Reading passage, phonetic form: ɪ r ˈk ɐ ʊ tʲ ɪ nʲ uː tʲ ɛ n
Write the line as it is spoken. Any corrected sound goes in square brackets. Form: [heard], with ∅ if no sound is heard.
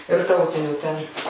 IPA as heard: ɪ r [ˈt] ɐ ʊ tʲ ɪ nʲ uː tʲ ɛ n

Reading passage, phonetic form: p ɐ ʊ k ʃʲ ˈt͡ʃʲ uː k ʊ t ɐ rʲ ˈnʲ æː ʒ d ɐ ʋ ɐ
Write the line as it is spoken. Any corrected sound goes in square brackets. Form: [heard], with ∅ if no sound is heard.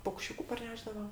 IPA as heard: p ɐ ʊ k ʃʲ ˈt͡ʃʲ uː k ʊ [p] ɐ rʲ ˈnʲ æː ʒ d ɐ ʋ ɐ

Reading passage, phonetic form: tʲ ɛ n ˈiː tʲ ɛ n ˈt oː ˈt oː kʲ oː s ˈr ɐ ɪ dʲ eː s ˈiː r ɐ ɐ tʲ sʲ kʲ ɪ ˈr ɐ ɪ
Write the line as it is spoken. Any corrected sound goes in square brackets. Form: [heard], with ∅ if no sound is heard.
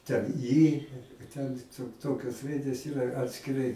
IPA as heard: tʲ ɛ n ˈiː tʲ ɛ n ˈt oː ˈt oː kʲ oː s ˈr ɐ ɪ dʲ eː s ˈiː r ɐ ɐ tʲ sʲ kʲ ɪ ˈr ɐ ɪ

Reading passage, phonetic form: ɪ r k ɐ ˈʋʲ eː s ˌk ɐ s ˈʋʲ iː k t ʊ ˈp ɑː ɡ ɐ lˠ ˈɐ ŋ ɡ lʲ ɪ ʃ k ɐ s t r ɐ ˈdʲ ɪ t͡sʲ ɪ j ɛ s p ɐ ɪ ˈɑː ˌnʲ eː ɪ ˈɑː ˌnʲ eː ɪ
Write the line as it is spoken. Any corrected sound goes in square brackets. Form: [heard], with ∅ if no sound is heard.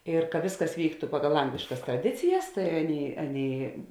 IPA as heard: ɪ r k ɐ ˈʋʲ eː s ˌk ɐ s ˈʋʲ iː k t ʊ ˈp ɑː ɡ ɐ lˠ ˈɐ ŋ ɡ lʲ ɪ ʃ k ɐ s t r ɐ ˈdʲ ɪ t͡sʲ ɪ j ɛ s [t] ɐ ɪ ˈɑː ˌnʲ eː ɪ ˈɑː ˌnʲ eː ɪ

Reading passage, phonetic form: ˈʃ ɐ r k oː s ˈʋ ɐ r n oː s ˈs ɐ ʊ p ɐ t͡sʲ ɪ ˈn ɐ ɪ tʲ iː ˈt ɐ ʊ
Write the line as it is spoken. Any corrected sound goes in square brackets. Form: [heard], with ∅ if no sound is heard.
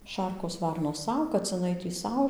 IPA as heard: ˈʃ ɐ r k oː s ˈʋ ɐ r n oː s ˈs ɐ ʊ [k] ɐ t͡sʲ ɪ ˈn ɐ ɪ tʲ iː [ˈs] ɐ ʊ

